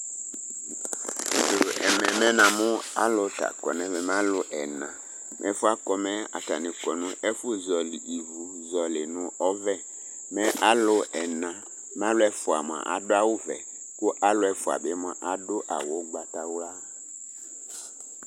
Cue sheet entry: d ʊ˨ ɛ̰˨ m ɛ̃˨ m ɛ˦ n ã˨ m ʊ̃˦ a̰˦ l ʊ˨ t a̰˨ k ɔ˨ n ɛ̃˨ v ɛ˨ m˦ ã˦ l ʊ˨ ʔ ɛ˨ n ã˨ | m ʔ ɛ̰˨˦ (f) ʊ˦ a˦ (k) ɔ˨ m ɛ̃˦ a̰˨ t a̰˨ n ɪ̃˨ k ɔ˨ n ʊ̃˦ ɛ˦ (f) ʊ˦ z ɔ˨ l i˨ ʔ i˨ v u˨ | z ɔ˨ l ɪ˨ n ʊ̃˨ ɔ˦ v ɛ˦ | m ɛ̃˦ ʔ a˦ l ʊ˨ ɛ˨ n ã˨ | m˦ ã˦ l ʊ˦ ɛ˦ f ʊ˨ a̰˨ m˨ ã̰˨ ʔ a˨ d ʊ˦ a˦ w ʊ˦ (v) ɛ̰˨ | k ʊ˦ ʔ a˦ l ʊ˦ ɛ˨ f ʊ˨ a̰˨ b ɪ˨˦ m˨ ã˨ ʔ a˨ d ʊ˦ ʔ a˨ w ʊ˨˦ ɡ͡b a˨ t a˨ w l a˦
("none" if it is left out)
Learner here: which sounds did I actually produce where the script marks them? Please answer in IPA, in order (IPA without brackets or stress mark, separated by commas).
f, k, f, v